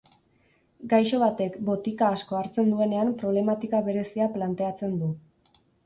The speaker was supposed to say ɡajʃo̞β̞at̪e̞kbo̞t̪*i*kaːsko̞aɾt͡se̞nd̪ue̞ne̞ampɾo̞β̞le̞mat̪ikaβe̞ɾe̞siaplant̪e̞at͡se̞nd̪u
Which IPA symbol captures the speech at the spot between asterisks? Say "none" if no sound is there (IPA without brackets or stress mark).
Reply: i